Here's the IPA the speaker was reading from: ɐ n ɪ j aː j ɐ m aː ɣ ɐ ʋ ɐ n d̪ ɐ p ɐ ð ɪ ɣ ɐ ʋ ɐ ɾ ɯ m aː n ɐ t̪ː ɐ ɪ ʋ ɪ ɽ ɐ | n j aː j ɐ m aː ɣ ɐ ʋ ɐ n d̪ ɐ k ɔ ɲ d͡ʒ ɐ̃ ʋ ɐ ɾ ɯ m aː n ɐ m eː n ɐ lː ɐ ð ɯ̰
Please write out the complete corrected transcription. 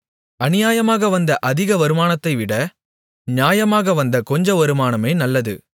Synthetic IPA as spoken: ɐ n ɪ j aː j ɐ m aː ɣ ɐ ʋ ɐ n d̪ ɐ ʔ ɐ ð ɪ ɣ ɐ ʋ ɐ ɾ ɯ m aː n ɐ t̪ː ɐ ɪ ʋ ɪ ɽ ɐ | n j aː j ɐ m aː ɣ ɐ ʋ ɐ n d̪ ɐ k ɔ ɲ d͡ʒ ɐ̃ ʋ ɐ ɾ ɯ m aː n ɐ m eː n ɐ lː ɐ ð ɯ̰